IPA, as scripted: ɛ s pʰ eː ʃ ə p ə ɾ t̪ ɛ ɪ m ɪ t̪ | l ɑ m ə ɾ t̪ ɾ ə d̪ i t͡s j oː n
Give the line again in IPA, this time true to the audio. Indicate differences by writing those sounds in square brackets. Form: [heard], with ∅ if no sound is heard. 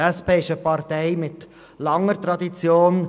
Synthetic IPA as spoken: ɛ s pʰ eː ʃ ə p [ɑ] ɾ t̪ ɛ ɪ m ɪ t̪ | l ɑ [ŋ] ə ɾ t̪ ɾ [ɑ] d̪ i t͡s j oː n